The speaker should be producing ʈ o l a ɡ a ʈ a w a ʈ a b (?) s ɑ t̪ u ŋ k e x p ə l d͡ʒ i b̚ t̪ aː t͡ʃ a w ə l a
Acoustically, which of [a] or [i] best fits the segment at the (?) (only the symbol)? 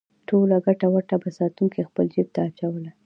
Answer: a